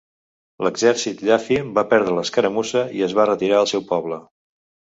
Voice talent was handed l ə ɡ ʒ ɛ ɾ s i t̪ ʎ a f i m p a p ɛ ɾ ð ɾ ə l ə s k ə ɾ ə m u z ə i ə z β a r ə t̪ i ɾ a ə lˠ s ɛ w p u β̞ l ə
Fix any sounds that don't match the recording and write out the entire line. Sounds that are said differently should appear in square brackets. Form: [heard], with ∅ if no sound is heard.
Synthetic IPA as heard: l ə ɡ [z] ɛ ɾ s i t̪ ʎ a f i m [b] a p ɛ ɾ ð ɾ ə l ə s k ə ɾ ə m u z ə i ə z β a r ə t̪ i ɾ a ə lˠ s ɛ w p [ɔ] β̞ l ə